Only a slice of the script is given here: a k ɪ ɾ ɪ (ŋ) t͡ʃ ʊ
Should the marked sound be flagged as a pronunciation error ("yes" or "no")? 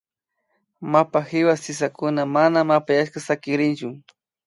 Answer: yes